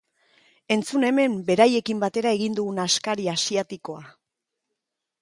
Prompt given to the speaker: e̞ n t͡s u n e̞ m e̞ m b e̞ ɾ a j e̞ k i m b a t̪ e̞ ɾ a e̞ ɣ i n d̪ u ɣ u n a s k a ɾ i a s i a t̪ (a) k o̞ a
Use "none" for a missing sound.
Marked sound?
i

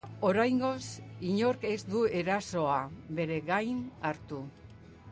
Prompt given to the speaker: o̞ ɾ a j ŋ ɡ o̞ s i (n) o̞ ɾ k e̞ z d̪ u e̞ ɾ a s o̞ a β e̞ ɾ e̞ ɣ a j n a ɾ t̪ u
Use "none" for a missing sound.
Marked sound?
ɲ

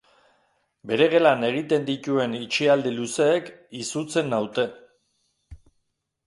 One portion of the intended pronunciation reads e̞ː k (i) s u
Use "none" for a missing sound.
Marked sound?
i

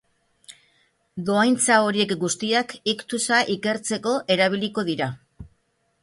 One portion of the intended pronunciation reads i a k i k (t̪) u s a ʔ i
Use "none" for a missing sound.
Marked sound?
t̪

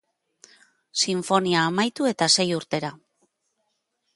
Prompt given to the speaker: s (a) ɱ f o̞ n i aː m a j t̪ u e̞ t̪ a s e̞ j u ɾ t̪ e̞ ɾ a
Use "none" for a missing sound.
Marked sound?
i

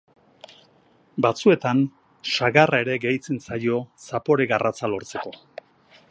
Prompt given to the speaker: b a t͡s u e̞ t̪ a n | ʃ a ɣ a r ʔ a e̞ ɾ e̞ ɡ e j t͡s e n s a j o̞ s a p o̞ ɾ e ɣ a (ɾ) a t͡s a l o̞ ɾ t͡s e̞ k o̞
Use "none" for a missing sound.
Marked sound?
r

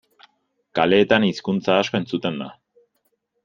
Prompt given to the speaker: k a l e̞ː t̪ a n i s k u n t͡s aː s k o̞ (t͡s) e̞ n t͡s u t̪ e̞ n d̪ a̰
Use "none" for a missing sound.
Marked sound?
none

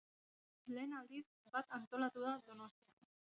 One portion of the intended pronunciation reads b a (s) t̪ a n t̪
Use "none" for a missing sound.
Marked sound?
none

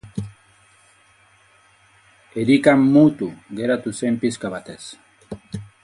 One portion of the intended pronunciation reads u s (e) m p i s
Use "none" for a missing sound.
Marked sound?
e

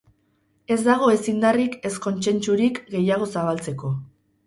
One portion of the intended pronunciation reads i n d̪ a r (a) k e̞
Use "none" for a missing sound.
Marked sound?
i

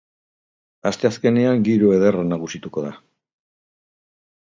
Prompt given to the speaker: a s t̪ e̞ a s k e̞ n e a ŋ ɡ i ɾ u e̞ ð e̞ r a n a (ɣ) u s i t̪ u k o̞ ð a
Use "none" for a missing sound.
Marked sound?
ɣ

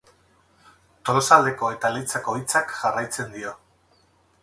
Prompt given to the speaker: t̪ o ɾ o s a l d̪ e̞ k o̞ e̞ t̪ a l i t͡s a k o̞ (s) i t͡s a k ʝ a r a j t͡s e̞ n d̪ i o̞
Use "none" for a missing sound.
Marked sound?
none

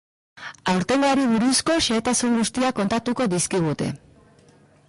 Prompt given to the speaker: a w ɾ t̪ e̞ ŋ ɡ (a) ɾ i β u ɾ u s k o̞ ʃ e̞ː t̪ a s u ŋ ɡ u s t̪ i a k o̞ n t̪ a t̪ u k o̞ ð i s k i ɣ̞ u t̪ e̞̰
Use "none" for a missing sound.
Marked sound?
a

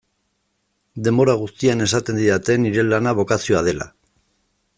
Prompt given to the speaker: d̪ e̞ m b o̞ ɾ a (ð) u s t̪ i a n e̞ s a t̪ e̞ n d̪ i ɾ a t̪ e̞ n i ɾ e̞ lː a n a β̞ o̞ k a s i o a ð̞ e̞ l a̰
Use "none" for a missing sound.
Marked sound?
ɣ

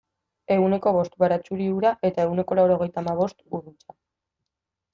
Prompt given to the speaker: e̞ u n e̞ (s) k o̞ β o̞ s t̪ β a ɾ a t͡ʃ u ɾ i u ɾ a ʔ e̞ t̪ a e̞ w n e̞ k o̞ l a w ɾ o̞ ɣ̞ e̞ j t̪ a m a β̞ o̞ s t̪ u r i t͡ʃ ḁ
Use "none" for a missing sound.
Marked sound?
none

